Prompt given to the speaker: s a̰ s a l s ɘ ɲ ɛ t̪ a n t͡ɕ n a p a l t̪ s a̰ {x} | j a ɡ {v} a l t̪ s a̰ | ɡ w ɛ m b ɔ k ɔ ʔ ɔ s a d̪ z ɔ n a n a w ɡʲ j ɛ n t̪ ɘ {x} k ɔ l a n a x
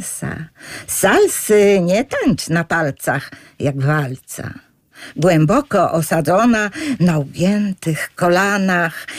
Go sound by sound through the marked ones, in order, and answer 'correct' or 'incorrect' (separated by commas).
correct, correct, correct